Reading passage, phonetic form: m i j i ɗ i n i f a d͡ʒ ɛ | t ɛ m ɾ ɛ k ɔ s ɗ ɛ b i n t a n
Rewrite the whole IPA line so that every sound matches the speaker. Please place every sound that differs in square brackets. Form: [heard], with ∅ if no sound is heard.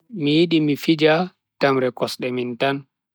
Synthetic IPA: m i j i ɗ i [m] i f [i] d͡ʒ [a] | t [a] m ɾ ɛ k ɔ s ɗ ɛ [m] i n t a n